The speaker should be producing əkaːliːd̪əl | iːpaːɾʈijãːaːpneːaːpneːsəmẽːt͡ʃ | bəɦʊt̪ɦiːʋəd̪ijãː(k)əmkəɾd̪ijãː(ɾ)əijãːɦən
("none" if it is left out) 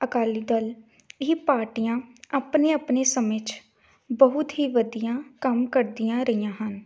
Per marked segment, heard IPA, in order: k, ɾ

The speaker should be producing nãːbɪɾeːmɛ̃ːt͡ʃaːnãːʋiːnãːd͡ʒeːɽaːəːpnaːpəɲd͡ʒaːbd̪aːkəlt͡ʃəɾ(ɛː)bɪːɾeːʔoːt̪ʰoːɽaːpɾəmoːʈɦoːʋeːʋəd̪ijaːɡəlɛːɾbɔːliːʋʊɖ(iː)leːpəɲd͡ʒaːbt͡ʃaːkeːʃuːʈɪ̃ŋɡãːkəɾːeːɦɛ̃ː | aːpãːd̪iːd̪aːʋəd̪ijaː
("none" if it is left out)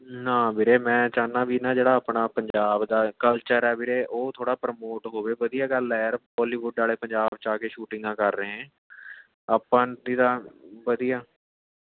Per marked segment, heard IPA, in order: ɛː, aː

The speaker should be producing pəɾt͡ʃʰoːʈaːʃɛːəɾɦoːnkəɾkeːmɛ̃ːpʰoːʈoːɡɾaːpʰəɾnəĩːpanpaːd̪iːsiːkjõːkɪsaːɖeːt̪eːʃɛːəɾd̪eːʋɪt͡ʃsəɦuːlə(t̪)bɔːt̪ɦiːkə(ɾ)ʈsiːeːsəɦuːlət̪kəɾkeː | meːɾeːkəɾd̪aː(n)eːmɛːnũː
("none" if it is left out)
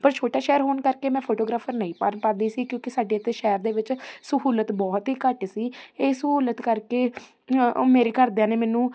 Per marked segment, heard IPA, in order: t̪, none, n

